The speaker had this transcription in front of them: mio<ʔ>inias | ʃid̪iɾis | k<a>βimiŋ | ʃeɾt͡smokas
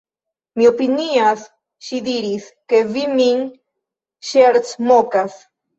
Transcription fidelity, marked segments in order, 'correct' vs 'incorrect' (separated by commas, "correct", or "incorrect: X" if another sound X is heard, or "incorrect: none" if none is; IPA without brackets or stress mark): incorrect: p, incorrect: e